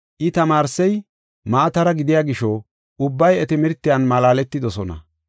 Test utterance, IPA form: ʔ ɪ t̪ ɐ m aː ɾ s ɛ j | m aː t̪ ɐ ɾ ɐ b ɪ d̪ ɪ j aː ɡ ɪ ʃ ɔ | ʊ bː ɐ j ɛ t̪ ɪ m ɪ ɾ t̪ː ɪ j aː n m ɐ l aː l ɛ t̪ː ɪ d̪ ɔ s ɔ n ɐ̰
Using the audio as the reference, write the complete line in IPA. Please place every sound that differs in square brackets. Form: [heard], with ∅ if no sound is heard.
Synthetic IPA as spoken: ʔ ɪ t̪ ɐ m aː ɾ s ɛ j | m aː t̪ ɐ ɾ ɐ [ɡ] ɪ d̪ ɪ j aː ɡ ɪ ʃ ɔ | ʊ bː ɐ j ɛ t̪ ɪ m ɪ ɾ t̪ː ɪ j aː n m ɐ l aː l ɛ t̪ː ɪ d̪ ɔ s ɔ n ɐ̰